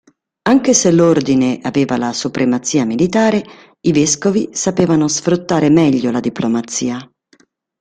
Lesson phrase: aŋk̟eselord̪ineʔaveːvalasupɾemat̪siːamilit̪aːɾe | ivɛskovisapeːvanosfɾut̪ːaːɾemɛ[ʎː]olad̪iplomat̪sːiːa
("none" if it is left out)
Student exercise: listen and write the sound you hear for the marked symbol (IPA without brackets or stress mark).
ʎː